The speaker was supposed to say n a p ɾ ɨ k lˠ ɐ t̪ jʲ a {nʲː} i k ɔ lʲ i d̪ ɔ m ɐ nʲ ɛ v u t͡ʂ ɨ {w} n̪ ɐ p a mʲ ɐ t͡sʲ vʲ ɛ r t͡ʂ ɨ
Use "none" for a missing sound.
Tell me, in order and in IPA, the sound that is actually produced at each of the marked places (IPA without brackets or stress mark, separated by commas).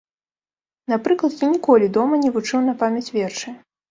nʲ, w